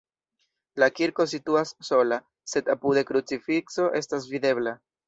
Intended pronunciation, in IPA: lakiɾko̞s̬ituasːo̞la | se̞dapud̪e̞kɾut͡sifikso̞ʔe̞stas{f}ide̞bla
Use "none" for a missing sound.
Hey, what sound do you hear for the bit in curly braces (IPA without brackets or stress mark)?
v